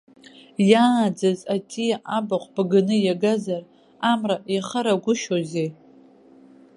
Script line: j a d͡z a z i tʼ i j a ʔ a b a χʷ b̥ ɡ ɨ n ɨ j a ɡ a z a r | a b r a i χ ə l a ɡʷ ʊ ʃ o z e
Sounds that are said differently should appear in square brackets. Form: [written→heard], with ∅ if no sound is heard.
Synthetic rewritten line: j a d͡z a z [i→a] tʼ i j a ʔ a b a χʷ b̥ ɡ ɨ n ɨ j a ɡ a z a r | a [b→m] r a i χ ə [l→ɾ] a ɡʷ ʊ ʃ o z e